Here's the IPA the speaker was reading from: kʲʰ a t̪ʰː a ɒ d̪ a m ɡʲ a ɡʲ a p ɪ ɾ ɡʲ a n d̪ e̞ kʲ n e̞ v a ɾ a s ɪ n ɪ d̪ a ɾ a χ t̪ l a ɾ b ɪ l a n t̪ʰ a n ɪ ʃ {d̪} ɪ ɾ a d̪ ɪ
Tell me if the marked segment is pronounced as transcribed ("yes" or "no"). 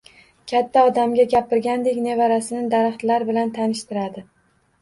no